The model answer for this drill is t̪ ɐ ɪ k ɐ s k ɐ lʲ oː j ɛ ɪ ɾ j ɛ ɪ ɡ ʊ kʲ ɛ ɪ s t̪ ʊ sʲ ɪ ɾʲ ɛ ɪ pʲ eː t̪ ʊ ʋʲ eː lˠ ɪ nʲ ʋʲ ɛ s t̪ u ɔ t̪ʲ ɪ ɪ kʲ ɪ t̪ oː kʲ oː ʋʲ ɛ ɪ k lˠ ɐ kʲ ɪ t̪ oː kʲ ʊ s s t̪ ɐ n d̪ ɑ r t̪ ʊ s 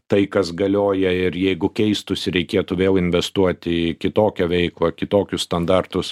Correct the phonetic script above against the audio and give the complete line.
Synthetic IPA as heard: t̪ ɐ ɪ k ɐ s ɡ ɐ lʲ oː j ɛ ɪ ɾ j ɛ ɪ ɡ ʊ kʲ ɛ ɪ s t̪ ʊ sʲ ɪ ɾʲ ɛ ɪ kʲ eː t̪ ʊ ʋʲ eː lˠ ɪ nʲ ʋʲ ɛ s t̪ u ɔ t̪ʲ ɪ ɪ kʲ ɪ t̪ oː kʲ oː ʋʲ ɛ ɪ k lˠ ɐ kʲ ɪ t̪ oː kʲ ʊ s s t̪ ɐ n d̪ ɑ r t̪ ʊ s

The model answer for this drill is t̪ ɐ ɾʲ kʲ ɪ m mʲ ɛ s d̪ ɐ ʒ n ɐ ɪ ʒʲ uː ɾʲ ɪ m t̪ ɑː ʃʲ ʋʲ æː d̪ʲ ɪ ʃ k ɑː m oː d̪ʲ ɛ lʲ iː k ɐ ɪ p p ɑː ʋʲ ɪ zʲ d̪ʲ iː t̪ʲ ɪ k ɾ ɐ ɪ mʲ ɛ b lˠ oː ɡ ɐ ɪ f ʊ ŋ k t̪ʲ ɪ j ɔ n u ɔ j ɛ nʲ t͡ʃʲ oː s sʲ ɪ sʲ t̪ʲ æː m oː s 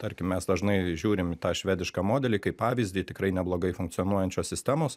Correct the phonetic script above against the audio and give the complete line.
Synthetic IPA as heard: t̪ ɐ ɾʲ kʲ ɪ m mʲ ɛ s d̪ ɐ ʒ n ɐ ɪ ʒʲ uː ɾʲ ɪ m t̪ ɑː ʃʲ ʋʲ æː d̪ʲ ɪ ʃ k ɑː m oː d̪ʲ ɛ lʲ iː k ɐ ɪ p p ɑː ʋʲ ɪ zʲ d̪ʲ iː t̪ʲ ɪ k ɾ ɐ ɪ nʲ ɛ b lˠ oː ɡ ɐ ɪ f ʊ ŋ k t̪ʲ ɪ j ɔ n u ɔ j ɛ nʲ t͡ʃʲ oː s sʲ ɪ sʲ t̪ʲ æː m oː s

